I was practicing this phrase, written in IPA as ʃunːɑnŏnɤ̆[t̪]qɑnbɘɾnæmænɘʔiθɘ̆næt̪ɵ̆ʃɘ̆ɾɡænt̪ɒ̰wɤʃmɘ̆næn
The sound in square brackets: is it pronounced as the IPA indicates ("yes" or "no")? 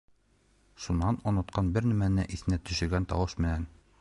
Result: yes